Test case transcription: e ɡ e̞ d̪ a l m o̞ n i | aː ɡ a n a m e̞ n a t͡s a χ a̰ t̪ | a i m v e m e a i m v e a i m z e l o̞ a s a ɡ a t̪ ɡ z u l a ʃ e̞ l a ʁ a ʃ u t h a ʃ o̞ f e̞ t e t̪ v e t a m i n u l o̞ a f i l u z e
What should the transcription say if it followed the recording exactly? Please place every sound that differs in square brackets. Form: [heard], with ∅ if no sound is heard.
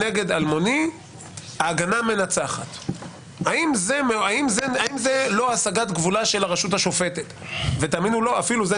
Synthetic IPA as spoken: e ɡ e̞ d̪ a l m o̞ n i | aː ɡ a n a m e̞ n a t͡s a χ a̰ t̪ | a i m [z] e m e a i m [z] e a i m z e l o̞ a s a ɡ a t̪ ɡ [v] u l a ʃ e̞ l a ʁ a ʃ u t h a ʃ o̞ f e̞ t e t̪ v e t a m i n u l o̞ a f i l u z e